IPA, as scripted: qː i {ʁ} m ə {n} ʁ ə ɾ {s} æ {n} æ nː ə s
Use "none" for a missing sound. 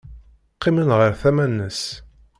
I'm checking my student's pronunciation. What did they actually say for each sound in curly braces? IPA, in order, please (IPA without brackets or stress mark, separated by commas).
none, n, θ, m